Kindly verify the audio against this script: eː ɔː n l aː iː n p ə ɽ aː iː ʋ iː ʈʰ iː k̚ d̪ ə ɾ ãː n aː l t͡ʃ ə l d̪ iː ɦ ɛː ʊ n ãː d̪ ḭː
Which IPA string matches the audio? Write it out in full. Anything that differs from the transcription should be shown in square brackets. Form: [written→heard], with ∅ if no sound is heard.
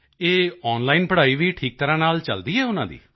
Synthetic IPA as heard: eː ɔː n l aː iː n p ə ɽ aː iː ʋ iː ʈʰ iː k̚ [d̪→t̪] ə ɾ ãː n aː l t͡ʃ ə l d̪ iː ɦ ɛː ʊ n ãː d̪ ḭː